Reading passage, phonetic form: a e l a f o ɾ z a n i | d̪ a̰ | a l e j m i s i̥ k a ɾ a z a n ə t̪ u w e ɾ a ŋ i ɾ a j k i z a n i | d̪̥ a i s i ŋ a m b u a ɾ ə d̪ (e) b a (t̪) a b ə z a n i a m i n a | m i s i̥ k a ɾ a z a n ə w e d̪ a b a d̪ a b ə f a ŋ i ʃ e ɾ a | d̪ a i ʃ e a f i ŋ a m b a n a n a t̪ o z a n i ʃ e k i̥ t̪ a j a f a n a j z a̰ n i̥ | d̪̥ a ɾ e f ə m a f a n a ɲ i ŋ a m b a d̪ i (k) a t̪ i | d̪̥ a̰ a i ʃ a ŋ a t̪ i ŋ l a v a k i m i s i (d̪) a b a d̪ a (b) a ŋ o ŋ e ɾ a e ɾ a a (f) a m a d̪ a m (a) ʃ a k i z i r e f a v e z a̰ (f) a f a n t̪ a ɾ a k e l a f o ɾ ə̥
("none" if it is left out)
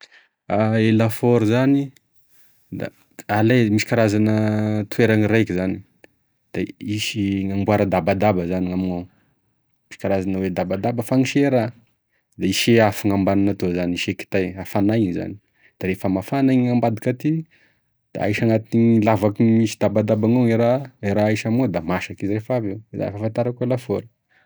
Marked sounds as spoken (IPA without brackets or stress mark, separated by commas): a, d̪, k, d̪, b, ʃ, a, f